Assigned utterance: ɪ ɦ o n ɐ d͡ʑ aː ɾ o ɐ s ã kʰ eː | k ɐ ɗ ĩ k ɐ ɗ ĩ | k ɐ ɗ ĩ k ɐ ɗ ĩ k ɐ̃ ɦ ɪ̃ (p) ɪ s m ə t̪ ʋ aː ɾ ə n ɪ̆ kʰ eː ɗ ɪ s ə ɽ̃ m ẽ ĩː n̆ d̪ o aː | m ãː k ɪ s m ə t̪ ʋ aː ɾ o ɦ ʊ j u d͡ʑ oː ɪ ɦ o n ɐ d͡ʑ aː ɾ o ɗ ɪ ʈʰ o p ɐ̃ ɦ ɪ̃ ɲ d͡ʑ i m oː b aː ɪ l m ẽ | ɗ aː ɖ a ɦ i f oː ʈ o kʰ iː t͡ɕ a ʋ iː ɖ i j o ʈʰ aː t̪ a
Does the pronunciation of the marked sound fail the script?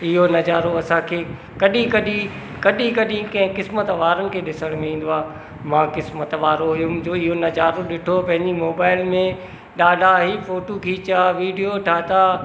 yes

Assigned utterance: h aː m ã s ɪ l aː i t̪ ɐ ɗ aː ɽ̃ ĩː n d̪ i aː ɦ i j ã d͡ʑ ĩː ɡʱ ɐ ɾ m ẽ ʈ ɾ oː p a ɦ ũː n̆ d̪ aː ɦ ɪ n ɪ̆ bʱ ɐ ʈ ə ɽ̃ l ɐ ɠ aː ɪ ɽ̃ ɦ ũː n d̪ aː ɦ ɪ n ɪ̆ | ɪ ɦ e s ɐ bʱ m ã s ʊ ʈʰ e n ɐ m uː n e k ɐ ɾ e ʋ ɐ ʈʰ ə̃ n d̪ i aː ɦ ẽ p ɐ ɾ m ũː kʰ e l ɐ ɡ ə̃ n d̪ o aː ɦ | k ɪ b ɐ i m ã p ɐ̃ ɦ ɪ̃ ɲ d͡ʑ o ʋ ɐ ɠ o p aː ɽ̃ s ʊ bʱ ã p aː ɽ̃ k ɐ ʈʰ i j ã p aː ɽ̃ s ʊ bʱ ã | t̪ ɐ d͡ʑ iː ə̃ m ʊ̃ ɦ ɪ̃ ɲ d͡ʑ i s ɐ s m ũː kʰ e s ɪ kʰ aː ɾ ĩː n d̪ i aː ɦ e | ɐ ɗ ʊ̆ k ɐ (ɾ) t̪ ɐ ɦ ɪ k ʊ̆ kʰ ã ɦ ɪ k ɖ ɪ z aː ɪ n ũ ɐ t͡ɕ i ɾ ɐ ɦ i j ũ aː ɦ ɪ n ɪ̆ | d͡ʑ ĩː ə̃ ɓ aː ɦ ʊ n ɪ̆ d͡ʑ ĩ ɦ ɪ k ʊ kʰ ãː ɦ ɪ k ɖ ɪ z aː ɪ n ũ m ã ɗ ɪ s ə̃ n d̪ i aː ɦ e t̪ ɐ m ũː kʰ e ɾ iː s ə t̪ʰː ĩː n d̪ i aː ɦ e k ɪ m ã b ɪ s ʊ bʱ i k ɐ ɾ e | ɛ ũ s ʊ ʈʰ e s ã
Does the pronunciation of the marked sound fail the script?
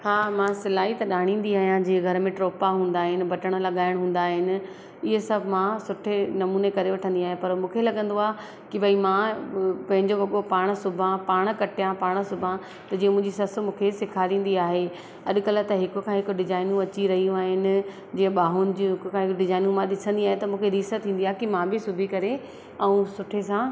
yes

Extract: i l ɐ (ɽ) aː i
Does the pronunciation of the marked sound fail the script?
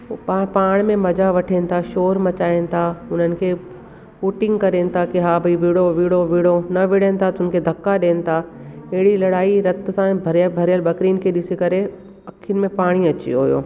no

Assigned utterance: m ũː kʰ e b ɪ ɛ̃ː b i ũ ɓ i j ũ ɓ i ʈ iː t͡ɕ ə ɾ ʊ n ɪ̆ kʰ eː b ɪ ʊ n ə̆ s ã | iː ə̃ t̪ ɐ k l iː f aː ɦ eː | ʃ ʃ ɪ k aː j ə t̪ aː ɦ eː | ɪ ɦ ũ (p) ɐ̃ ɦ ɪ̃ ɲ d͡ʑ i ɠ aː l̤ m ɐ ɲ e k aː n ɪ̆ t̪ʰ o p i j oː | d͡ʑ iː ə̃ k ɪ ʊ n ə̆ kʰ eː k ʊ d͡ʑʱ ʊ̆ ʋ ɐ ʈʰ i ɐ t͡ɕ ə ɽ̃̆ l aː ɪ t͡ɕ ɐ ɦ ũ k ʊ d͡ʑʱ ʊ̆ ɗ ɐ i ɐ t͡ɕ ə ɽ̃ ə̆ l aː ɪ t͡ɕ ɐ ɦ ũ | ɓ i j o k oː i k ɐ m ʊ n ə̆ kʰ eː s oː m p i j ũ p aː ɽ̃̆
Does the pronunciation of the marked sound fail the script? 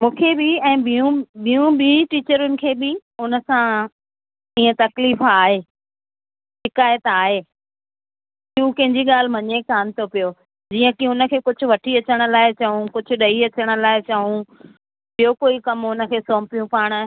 yes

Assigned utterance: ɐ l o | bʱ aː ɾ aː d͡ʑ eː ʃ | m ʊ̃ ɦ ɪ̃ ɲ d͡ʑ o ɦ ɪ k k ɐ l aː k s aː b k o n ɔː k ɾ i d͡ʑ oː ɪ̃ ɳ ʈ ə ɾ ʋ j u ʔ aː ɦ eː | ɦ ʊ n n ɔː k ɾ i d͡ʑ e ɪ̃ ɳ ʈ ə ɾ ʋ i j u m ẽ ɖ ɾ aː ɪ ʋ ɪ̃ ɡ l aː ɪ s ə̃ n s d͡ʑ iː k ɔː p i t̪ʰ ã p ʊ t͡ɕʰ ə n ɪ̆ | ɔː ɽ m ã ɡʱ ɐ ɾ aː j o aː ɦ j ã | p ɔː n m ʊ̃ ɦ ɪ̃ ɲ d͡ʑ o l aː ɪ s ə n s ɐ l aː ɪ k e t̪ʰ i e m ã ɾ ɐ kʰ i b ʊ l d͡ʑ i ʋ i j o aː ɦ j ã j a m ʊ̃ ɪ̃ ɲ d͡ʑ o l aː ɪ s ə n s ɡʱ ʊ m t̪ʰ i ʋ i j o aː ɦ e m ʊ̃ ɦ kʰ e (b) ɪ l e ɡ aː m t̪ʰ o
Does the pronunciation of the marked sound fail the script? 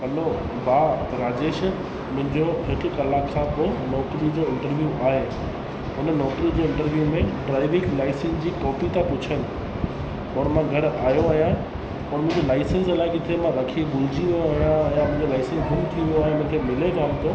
yes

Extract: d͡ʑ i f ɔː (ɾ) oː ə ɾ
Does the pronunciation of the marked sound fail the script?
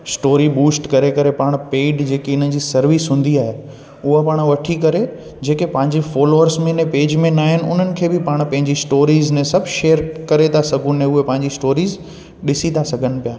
yes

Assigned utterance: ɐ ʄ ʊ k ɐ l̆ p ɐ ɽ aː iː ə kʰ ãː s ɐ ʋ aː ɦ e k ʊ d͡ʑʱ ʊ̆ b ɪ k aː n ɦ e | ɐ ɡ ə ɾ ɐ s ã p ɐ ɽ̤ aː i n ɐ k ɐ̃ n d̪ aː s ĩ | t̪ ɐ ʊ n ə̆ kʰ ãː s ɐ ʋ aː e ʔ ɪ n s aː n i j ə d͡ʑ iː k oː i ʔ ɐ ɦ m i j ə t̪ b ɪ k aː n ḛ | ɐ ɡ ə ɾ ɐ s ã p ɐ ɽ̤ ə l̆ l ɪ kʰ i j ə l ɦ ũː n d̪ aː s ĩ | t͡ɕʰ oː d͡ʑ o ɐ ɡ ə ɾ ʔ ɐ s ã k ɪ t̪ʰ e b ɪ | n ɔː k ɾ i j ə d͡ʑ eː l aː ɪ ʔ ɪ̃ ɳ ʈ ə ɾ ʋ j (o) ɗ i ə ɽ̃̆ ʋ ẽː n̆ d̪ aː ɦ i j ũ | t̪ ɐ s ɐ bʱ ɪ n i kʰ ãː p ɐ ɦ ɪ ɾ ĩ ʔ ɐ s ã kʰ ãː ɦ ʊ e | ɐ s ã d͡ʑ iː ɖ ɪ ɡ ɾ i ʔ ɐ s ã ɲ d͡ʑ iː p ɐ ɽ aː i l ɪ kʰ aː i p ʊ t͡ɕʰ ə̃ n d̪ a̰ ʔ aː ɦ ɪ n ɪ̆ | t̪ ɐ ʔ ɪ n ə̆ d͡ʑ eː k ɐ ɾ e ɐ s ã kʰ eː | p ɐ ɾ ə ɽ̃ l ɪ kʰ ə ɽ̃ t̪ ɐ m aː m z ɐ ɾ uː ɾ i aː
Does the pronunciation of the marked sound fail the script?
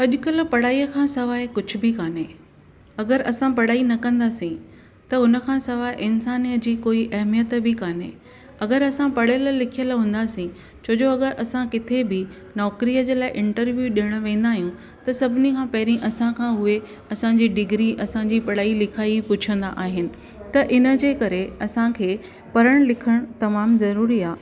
yes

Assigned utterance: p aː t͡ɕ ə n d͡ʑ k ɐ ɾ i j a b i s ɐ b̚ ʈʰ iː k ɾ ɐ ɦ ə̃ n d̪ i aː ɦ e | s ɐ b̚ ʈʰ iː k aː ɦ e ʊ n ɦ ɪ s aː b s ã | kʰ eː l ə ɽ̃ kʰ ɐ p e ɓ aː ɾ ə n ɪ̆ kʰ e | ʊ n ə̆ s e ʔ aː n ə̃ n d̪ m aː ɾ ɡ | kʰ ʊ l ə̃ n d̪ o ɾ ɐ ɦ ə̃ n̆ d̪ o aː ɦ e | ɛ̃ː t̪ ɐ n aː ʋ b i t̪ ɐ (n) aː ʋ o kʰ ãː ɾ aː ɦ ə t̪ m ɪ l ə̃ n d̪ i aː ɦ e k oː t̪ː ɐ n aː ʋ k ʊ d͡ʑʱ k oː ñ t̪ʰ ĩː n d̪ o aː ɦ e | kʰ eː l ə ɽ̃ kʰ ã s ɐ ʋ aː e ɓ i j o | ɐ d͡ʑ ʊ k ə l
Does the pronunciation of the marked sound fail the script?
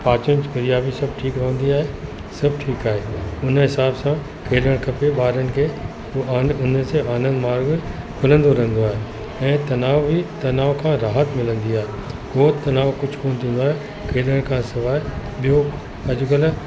no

